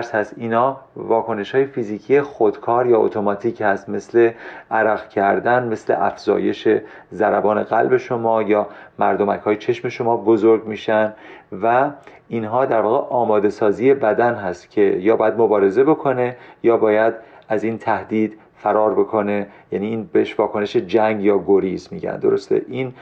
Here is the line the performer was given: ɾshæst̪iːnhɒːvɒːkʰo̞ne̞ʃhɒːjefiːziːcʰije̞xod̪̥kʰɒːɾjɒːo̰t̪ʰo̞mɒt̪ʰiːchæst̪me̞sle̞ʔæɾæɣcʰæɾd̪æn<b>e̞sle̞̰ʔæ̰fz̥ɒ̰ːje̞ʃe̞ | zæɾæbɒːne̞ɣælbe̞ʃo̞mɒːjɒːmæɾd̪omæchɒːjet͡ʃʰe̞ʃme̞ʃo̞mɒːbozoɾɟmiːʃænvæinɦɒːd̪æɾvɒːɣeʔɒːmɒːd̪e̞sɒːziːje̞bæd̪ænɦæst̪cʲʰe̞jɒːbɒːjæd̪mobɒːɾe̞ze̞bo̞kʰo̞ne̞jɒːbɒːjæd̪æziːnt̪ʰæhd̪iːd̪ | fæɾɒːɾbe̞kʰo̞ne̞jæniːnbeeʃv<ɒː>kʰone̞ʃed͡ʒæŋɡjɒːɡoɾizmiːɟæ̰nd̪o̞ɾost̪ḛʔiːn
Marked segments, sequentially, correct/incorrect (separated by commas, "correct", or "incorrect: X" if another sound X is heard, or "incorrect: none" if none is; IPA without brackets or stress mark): incorrect: m, correct